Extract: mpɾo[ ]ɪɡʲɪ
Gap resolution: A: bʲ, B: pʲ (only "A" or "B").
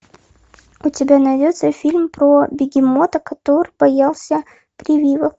A